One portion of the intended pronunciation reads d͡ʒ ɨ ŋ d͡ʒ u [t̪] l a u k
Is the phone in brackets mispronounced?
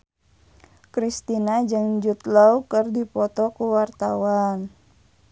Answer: no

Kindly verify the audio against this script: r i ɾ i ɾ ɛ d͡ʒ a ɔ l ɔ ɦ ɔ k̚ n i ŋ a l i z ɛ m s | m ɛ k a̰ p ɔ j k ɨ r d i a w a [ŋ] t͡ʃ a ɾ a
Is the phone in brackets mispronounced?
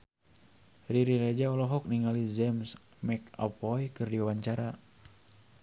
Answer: yes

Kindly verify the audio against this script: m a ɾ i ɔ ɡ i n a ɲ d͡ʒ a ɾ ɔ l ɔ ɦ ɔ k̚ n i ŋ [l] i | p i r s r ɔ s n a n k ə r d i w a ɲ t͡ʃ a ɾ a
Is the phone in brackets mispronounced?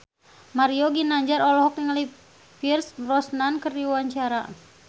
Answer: no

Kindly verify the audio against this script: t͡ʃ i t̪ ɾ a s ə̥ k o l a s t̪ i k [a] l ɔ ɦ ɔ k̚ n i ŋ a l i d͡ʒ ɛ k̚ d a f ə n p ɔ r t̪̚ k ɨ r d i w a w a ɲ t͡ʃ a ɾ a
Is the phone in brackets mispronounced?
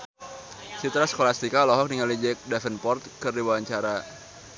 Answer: no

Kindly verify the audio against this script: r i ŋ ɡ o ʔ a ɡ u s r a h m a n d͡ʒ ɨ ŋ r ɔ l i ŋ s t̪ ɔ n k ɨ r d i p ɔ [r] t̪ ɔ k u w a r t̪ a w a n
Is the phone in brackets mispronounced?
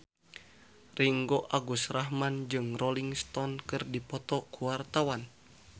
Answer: yes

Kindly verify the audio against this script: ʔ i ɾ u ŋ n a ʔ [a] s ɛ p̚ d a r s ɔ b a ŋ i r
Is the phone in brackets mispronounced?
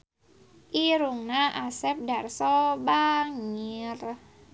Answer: no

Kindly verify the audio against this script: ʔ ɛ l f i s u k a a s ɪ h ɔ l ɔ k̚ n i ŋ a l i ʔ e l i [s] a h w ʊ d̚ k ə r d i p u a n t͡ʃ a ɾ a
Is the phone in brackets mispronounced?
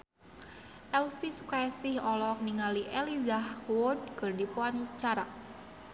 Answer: yes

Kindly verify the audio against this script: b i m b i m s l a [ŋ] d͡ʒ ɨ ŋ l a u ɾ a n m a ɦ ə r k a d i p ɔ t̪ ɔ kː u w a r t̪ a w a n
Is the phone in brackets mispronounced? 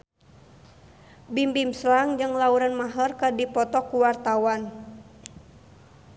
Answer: no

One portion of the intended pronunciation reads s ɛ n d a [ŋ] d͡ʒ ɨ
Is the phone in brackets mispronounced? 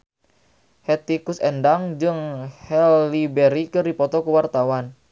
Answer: no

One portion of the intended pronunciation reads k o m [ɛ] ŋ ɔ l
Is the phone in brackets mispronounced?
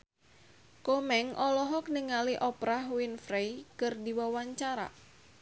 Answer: no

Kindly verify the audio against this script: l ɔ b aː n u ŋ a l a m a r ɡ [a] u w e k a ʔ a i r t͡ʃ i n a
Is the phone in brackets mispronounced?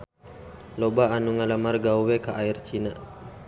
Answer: no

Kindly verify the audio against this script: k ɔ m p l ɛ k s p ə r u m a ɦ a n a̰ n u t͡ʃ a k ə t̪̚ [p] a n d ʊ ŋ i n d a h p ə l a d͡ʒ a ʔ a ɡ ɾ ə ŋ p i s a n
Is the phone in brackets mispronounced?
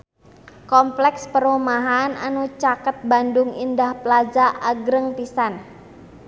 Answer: yes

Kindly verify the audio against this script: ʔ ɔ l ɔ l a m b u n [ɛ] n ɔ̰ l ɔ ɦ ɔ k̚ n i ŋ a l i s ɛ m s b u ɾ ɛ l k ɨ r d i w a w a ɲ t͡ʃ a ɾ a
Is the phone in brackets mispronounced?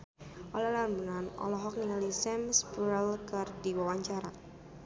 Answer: yes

